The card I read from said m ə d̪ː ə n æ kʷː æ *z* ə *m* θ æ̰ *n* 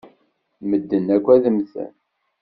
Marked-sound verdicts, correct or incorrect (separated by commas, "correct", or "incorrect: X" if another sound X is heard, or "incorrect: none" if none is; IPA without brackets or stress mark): incorrect: ð, correct, correct